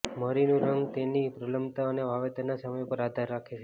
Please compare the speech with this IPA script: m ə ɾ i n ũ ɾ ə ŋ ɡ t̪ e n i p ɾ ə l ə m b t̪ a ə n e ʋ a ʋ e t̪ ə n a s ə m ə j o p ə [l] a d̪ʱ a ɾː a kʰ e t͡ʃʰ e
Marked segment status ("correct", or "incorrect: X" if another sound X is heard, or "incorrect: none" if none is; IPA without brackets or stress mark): incorrect: ɾ